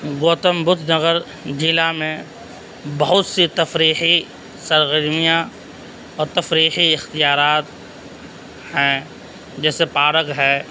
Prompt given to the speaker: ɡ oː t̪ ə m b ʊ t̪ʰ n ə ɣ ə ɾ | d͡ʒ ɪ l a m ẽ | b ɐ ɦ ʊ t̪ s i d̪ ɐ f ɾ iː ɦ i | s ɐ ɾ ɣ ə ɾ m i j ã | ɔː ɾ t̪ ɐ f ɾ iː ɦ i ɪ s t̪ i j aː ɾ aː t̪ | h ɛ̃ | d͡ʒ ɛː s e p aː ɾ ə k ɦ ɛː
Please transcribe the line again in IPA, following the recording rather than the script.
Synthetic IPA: ɡ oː t̪ ə m b ʊ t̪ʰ n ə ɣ ə ɾ | d͡ʒ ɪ l a m ẽ | b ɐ ɦ ʊ t̪ s i t̪ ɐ f ɾ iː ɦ i | s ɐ ɾ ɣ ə ɾ m i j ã | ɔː ɾ t̪ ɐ f ɾ iː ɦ i ɪ x t̪ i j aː ɾ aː t̪ | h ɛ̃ | d͡ʒ ɛː s e p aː ɾ ə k ɦ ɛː

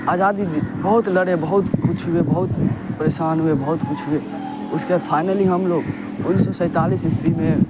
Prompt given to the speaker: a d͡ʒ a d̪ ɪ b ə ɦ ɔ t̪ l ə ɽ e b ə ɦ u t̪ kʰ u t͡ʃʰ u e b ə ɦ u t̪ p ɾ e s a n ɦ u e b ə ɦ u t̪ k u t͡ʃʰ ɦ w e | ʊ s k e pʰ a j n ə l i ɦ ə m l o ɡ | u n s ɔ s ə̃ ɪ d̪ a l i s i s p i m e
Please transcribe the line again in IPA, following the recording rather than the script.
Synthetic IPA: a d͡ʒ a d̪ i b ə ɦ u t̪ l ə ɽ e b ə ɦ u t̪ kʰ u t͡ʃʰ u e b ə ɦ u t̪ p ɾ e s a n ɦ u e b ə ɦ u t̪ k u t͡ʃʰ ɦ u e | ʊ s k e pʰ a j n ə l i ɦ ə m l o ɡ | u n s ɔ s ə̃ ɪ t̪ a l i s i s p i m e

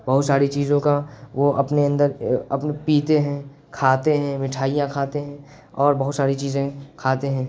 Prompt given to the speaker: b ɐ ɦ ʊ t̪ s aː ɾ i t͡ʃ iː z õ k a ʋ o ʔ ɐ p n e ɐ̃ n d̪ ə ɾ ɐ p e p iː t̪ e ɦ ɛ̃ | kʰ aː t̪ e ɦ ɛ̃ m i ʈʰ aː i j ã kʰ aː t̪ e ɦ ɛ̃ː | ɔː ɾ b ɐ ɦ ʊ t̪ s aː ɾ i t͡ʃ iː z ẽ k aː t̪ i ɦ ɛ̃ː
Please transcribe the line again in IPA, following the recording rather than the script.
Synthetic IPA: b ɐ ɦ ʊ t̪ s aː ɾ i t͡ʃ iː z õ k a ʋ o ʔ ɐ p n e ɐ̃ n d̪ ə ɾ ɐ p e p iː t̪ e ɦ ɛ̃ | kʰ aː t̪ e ɦ ɛ̃ m ɪ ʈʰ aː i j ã kʰ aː t̪ e ɦ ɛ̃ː | ɔː ɾ b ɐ ɦ ʊ t̪ s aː ɾ i t͡ʃ iː z ẽ kʰ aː t̪ e ɦ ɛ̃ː

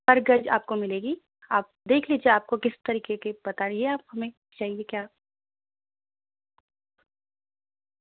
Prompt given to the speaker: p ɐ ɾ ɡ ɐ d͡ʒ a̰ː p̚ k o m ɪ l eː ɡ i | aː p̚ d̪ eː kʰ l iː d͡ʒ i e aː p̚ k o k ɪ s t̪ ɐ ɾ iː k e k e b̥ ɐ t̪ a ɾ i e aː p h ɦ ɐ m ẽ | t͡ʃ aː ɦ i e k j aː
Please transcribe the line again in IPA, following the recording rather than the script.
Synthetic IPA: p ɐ ɾ ɡ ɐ d͡ʒ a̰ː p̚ k o m ɪ l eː ɡ i | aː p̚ d̪ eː kʰ l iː d͡ʒ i e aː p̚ k o k ɪ s t̪ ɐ ɾ iː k e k e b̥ ɐ t̪ a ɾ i e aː p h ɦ ɐ m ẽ | t͡ʃ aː ɦ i e k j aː

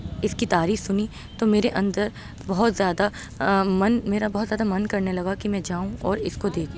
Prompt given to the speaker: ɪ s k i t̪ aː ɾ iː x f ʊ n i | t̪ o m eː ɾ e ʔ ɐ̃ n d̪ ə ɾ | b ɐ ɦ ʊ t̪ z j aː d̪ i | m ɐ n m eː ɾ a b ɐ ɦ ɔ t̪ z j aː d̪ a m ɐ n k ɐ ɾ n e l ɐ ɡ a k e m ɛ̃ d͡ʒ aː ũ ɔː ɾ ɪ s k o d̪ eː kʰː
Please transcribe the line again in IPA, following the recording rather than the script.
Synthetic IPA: ɪ s k i t̪ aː ɾ iː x s ʊ n i | t̪ o m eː ɾ e ʔ ɐ̃ n d̪ ə ɾ | b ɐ ɦ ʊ t̪ z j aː d̪ a | m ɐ n m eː ɾ a b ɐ ɦ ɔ t̪ z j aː d̪ a m ɐ n k ɐ ɾ n e l ɐ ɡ a k i m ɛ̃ d͡ʒ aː ũ ɔː ɾ ɪ s k o d̪ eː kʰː

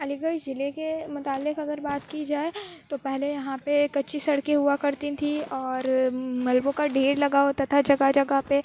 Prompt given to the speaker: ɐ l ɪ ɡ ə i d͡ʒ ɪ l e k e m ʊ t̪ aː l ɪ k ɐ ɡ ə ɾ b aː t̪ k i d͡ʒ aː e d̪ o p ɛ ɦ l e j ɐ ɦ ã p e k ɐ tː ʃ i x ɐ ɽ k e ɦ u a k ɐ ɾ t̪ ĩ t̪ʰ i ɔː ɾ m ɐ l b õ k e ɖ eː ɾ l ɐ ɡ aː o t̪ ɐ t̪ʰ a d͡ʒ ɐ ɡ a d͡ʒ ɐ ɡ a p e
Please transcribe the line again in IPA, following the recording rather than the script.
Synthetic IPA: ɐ l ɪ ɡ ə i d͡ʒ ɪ l e k e m ʊ t̪ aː l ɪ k ɐ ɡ ə ɾ b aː t̪ k i d͡ʒ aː e t̪ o p ɛ ɦ l e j ɐ ɦ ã p e k ɐ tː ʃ i s ɐ ɽ k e ɦ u a k ɐ ɾ t̪ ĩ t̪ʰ i ɔː ɾ m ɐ l b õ k a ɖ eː ɾ l ɐ ɡ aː o t̪ ɐ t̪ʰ a d͡ʒ ɐ ɡ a d͡ʒ ɐ ɡ a p e

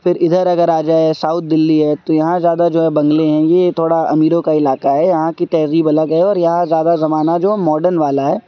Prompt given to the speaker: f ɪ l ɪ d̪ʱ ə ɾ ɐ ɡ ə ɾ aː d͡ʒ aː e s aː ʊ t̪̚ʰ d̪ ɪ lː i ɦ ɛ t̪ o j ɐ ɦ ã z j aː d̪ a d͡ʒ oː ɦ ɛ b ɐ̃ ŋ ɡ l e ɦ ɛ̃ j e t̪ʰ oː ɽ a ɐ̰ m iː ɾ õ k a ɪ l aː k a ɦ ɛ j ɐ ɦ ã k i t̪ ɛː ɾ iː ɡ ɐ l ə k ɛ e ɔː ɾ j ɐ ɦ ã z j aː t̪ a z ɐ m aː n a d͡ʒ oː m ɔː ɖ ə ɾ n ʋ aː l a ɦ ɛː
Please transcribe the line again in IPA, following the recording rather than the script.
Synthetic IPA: f ɪ ɾ ɪ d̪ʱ ə ɾ ɐ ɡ ə ɾ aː d͡ʒ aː e s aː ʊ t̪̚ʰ d̪ ɪ lː i ɦ ɛ t̪ o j ɐ ɦ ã z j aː d̪ a d͡ʒ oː ɦ ɛ b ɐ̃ ŋ ɡ l e ɦ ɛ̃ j e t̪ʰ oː ɽ a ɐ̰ m iː ɾ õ k a ɪ l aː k a ɦ ɛ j ɐ ɦ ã k i t̪ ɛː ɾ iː b ɐ l ə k ɛ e ɔː ɾ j ɐ ɦ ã z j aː d̪ a z ɐ m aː n a d͡ʒ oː m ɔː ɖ ə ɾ n ʋ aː l a ɦ ɛː

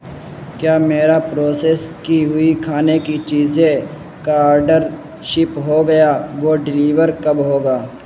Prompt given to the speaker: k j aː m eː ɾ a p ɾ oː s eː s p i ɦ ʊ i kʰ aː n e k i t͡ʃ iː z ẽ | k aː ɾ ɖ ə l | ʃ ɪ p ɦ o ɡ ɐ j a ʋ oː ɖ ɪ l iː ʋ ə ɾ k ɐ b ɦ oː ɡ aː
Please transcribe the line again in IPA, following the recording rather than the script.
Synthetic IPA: k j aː m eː ɾ a p ɾ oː s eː s k i ɦ ʊ i kʰ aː n e k i t͡ʃ iː z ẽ | k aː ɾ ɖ ə ɾ | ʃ ɪ p ɦ o ɡ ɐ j a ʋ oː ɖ ɪ l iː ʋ ə ɾ k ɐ b ɦ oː ɡ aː

